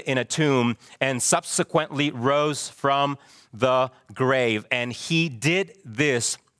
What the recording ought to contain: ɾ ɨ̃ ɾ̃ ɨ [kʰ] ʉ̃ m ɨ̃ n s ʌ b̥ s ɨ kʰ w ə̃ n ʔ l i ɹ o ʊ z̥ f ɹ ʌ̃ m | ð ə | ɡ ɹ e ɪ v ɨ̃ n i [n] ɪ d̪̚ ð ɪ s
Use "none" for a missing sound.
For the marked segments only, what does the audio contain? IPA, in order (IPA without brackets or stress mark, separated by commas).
tʰ, d